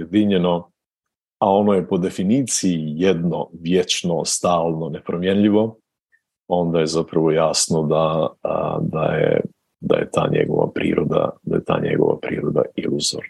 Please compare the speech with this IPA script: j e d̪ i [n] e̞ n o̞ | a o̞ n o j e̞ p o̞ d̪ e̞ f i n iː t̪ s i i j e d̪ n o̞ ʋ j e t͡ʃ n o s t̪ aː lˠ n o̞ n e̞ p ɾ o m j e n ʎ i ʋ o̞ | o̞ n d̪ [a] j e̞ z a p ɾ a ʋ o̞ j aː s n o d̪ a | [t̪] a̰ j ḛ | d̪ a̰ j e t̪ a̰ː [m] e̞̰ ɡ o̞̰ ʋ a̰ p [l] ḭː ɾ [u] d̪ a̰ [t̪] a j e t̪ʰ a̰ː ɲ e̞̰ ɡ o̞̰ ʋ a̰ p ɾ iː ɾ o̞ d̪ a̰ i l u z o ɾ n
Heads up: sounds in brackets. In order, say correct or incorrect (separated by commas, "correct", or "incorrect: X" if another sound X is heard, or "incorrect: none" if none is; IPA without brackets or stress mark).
incorrect: ɲ, correct, incorrect: d̪, incorrect: ɲ, incorrect: ɾ, incorrect: o, incorrect: d̪